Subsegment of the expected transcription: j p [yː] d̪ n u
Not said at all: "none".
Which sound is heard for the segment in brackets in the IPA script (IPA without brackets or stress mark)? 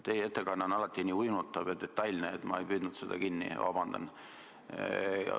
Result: yː